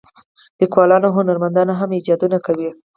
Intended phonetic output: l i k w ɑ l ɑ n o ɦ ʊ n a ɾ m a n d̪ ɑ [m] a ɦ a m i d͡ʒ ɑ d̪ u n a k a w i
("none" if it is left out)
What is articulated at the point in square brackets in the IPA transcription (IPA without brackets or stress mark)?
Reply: n